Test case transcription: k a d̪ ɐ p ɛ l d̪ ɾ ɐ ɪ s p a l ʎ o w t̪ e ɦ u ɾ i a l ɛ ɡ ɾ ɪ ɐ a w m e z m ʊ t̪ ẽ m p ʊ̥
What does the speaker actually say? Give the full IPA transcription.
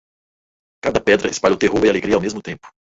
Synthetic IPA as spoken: k a d̪ ɐ p ɛ d̪ ɾ ɐ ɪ s p a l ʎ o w t̪ e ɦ o ɾ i a l e ɡ ɾ i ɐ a w m e z m ʊ t̪ ẽ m p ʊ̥